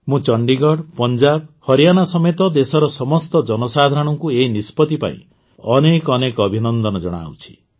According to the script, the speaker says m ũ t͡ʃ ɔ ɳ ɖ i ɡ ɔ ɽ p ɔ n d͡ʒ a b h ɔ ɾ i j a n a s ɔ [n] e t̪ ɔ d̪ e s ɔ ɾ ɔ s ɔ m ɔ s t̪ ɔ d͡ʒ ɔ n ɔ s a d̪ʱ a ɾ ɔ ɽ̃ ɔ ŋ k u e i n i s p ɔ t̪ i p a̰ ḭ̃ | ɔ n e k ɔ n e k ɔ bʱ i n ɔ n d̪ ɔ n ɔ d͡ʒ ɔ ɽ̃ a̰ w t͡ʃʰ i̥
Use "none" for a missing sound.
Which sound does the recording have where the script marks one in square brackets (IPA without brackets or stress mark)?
m